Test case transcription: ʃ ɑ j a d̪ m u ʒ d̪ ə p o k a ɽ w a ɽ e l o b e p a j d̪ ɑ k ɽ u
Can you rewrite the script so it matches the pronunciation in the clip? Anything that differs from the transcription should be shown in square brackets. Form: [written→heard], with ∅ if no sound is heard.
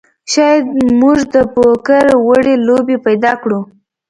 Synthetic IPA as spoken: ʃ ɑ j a d̪ m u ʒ d̪ ə p o k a [ɽ→ɾ] w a ɽ e l o b e p a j d̪ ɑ k ɽ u